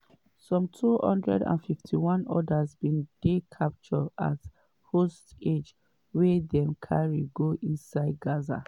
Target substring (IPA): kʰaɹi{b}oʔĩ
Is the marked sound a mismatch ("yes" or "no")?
yes